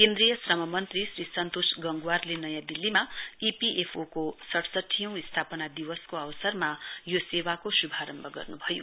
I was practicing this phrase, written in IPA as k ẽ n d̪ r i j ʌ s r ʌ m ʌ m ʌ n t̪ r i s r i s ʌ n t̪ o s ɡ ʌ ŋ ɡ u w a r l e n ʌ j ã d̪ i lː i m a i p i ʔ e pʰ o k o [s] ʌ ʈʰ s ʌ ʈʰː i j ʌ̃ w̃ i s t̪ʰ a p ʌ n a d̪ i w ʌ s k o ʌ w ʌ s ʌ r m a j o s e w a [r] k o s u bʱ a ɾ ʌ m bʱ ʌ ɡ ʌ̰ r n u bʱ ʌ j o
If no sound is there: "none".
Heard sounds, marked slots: s, none

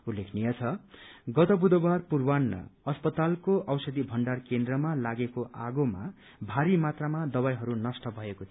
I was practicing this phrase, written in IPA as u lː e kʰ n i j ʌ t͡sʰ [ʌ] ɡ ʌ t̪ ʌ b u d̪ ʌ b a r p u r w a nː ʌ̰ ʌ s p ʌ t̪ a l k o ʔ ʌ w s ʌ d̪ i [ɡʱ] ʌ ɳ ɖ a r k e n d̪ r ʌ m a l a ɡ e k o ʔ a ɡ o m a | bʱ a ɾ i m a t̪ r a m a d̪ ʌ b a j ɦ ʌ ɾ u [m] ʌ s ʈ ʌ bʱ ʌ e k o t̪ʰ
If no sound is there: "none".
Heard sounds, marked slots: ʌ, bʱ, n

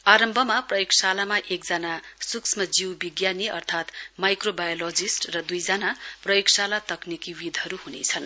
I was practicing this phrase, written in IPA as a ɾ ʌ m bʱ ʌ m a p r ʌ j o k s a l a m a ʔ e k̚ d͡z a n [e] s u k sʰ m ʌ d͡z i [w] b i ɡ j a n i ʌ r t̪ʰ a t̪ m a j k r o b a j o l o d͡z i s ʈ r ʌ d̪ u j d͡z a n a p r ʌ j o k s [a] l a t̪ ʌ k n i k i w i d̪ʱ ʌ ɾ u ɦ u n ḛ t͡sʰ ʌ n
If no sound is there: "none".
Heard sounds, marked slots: a, w, a

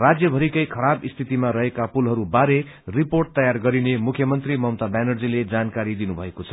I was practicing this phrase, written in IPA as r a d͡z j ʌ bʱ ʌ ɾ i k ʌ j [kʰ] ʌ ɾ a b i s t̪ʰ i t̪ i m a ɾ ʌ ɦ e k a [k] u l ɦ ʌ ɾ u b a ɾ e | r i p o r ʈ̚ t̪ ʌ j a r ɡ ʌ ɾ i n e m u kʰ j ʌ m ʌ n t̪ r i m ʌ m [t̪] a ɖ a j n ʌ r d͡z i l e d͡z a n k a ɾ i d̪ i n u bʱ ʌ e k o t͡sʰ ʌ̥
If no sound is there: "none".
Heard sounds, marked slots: kʰ, p, t̪

